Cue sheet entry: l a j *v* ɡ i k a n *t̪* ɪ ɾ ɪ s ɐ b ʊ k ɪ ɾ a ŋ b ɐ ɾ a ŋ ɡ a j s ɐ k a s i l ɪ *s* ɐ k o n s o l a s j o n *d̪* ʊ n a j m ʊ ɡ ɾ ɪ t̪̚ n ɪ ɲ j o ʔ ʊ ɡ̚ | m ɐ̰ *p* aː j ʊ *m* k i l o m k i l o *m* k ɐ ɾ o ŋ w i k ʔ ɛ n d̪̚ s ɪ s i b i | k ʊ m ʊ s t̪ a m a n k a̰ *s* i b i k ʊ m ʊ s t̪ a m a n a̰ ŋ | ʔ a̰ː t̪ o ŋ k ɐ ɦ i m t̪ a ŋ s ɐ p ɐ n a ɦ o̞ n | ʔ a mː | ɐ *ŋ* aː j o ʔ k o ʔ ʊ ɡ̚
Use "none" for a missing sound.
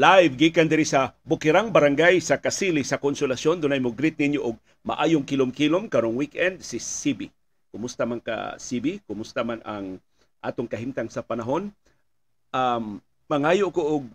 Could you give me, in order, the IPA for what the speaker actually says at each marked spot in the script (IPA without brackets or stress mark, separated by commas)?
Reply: v, d̪, s, d̪, ʔ, ŋ, m, s, ŋ